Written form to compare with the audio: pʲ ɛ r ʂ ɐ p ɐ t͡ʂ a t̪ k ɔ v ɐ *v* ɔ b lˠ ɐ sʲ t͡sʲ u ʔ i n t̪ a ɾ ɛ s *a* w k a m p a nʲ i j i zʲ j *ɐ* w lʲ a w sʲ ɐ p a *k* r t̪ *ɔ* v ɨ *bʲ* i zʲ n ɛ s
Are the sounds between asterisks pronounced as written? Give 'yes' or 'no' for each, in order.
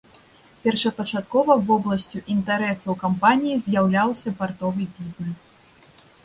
yes, no, no, no, yes, yes

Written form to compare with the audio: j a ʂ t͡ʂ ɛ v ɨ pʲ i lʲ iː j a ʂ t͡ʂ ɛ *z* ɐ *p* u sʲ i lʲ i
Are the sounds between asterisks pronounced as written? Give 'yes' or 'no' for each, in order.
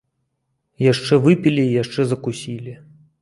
yes, no

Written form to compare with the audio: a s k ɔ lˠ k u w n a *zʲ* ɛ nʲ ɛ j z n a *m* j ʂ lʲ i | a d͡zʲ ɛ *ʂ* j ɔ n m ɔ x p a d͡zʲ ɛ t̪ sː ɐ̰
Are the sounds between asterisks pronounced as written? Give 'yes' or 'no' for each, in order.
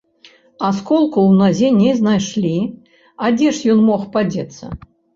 yes, no, yes

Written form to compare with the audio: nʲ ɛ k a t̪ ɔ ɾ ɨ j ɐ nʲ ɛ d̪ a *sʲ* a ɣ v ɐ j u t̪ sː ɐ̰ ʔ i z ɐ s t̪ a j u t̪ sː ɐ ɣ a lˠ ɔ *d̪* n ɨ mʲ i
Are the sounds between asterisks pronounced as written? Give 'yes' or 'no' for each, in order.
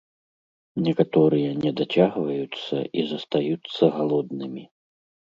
no, yes

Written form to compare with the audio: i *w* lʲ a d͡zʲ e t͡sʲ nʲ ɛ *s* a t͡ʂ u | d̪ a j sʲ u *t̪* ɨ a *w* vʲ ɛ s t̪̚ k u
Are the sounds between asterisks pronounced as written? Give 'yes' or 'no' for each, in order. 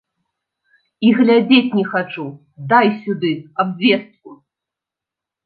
no, no, no, no

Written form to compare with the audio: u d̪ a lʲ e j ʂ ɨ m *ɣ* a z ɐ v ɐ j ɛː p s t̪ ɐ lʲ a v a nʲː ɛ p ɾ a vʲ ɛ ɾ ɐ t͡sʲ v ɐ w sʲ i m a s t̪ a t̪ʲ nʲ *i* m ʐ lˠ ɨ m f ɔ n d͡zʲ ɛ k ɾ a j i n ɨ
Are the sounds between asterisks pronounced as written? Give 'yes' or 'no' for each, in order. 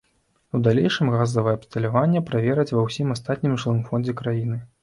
yes, yes

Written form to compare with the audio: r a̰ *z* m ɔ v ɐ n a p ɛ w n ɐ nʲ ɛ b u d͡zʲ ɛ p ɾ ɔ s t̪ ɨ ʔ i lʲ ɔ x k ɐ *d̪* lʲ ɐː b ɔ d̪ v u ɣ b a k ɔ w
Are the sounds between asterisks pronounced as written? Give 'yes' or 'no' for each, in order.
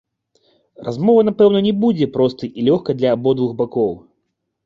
yes, yes

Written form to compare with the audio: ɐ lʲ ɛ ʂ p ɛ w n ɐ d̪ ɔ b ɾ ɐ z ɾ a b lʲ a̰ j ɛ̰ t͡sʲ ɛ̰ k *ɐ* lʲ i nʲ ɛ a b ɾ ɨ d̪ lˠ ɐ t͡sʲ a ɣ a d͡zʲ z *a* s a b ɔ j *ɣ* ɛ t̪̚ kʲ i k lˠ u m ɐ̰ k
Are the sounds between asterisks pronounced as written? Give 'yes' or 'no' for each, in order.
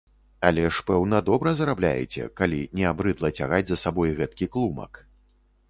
no, no, yes

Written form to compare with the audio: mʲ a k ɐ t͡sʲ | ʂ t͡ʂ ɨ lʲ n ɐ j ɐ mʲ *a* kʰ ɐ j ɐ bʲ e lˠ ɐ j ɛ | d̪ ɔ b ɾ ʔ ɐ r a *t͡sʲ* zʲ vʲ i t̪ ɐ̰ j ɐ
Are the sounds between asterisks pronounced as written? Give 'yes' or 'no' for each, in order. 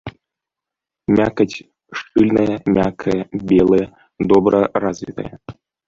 yes, no

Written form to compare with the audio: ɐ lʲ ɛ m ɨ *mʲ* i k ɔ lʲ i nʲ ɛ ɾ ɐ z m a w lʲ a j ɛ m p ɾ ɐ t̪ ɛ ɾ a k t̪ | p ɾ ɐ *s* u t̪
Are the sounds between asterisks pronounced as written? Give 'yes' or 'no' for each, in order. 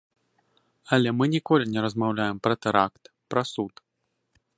no, yes

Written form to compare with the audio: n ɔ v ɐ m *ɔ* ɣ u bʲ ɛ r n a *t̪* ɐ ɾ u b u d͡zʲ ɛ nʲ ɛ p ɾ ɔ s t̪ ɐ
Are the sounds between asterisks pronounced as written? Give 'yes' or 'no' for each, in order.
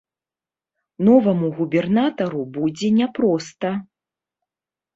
no, yes

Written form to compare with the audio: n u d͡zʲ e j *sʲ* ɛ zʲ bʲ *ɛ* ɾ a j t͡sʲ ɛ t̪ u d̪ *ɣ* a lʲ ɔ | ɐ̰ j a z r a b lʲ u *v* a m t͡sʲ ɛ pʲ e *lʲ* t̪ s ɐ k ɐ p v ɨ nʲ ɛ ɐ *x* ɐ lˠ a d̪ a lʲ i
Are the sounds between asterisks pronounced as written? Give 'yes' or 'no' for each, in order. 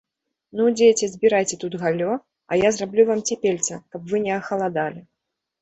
no, no, yes, yes, yes, yes

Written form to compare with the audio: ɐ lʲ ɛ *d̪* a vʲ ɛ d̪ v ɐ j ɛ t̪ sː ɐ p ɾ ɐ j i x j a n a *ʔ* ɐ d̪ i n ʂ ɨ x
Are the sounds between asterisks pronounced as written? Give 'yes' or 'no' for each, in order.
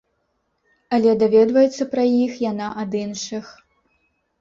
yes, yes

